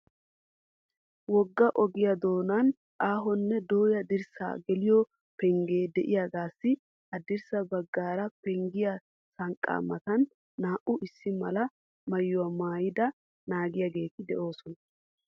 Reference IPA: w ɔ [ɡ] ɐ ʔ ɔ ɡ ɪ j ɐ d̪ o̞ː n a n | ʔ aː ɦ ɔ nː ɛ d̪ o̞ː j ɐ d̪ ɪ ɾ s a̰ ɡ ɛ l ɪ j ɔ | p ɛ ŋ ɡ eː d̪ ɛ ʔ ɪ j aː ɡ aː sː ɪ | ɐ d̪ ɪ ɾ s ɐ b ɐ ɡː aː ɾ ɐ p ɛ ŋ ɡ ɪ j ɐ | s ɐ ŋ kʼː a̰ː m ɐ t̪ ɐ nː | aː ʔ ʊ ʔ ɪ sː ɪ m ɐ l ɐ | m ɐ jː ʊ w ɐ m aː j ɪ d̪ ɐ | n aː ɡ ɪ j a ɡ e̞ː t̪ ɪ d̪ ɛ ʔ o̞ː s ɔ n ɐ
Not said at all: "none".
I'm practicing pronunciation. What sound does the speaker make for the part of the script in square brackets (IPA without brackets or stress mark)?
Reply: ɡː